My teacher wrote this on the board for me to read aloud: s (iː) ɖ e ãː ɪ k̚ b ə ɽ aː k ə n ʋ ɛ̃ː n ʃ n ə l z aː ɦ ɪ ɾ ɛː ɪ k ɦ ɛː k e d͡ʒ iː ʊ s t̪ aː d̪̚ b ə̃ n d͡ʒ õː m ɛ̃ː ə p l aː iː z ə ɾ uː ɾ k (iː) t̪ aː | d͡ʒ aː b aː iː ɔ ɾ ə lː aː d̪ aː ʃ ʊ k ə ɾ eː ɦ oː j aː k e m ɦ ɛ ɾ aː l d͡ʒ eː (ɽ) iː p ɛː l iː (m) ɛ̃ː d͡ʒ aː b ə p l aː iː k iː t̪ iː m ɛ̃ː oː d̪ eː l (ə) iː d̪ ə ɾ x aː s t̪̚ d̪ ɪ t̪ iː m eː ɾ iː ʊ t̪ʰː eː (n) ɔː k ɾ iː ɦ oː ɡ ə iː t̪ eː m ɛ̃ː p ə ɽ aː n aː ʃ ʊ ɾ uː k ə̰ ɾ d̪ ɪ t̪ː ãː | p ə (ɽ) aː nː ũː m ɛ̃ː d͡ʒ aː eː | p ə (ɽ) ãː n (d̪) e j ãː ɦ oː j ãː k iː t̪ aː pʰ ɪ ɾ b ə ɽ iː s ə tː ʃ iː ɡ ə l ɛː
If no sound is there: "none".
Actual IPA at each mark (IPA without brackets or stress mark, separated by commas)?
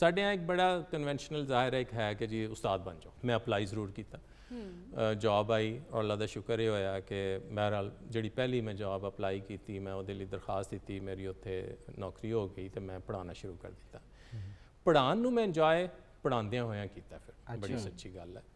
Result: aː, iː, ɽ, m, ə, n, ɽ, ɽ, d̪